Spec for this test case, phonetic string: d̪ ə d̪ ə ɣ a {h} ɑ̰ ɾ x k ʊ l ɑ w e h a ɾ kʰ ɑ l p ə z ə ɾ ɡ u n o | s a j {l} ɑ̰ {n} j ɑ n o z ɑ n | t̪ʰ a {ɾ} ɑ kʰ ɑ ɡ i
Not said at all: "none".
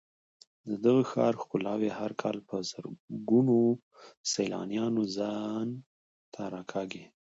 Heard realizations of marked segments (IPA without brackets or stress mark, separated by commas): x, l, n, ɾ